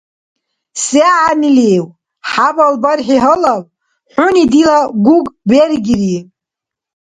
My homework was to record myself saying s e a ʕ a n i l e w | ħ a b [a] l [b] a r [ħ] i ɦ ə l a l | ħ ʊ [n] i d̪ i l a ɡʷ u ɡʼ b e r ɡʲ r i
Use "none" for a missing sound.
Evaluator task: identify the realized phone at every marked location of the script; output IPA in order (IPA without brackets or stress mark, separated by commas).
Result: a, b, ħ, n